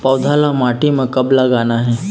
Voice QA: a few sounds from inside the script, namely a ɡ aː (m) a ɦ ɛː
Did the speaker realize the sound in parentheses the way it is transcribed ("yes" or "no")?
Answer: no